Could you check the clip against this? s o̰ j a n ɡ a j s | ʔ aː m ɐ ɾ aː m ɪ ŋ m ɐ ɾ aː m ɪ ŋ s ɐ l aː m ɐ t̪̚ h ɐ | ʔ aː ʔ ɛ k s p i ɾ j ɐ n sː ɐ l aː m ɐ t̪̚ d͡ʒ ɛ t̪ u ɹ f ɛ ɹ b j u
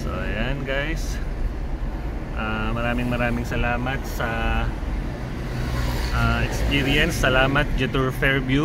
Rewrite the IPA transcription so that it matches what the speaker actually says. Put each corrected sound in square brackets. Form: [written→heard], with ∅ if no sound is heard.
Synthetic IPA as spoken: s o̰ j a n ɡ a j s | ʔ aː m ɐ ɾ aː m ɪ ŋ m ɐ ɾ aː m ɪ ŋ s ɐ l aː m ɐ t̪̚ [h→s] ɐ | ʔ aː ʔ ɛ k s p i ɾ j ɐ n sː ɐ l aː m ɐ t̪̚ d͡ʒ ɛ t̪ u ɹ f ɛ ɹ b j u

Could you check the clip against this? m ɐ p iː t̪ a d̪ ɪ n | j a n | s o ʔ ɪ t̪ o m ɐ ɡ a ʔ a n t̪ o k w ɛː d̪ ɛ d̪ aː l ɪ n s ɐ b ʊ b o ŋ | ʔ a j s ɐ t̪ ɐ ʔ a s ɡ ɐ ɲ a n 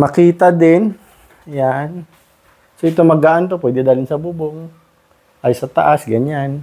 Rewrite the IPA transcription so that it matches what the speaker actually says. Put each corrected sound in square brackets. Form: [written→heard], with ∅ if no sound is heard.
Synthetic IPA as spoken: m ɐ [p→k] iː t̪ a d̪ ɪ n | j a n | s o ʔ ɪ t̪ o m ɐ ɡ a ʔ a n t̪ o [k→p] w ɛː d̪ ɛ d̪ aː l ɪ n s ɐ b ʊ b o ŋ | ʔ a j s ɐ t̪ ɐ ʔ a s ɡ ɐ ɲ a n

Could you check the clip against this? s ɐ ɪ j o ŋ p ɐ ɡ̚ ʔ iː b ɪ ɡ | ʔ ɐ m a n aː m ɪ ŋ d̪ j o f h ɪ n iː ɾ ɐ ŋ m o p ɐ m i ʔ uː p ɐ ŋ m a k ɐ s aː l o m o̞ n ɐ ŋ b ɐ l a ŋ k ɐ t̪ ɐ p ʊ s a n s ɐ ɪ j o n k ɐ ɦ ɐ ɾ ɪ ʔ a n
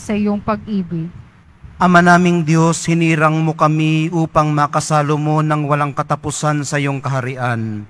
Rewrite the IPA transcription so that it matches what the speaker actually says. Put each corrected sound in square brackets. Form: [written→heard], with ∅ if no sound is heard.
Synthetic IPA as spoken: s ɐ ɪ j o ŋ p ɐ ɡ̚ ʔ iː b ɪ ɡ | ʔ ɐ m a n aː m ɪ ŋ d̪ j o [f→s] h ɪ n iː ɾ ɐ ŋ m o [p→k] ɐ m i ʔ uː p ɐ ŋ m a k ɐ s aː l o m o̞ n ɐ ŋ [b→w] ɐ l a ŋ k ɐ t̪ ɐ p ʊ s a n s ɐ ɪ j o [n→ŋ] k ɐ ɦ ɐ ɾ ɪ ʔ a n

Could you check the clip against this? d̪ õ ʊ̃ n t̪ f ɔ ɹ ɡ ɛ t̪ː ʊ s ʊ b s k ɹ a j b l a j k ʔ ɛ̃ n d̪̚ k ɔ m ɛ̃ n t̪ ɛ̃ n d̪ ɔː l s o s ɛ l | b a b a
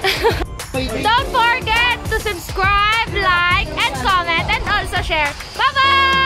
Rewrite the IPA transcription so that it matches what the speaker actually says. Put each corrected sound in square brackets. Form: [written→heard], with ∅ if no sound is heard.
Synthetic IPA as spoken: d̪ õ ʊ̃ n t̪ f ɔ ɹ ɡ ɛ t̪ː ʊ s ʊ b s k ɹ a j b l a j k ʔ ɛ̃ n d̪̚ k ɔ m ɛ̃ n t̪ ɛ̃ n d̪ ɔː l s o [s→ʃ] ɛ [l→ɹ] | b a b a

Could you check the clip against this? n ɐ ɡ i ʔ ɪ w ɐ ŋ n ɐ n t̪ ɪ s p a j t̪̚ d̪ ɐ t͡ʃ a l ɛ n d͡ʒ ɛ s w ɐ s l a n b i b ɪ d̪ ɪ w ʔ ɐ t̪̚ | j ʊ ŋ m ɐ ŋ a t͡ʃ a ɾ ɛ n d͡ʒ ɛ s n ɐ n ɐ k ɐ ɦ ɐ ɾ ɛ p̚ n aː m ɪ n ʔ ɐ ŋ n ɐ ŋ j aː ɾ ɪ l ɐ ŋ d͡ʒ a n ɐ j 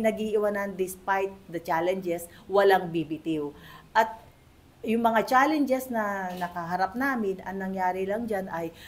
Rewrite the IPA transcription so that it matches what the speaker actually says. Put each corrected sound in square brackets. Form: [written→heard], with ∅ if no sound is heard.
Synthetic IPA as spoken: n ɐ ɡ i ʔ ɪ w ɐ [ŋ→∅] n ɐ n [t̪→d̪] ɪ s p a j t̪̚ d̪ ɐ t͡ʃ a l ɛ n d͡ʒ ɛ s w ɐ [s→∅] l a [n→ŋ] b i b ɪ [d̪→t̪] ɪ w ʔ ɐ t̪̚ | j ʊ ŋ m ɐ ŋ a t͡ʃ a [ɾ→l] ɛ n d͡ʒ ɛ s n ɐ n ɐ k ɐ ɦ ɐ ɾ [ɛ→a] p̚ n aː m ɪ n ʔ ɐ ŋ n ɐ ŋ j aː ɾ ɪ l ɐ ŋ d͡ʒ a n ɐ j

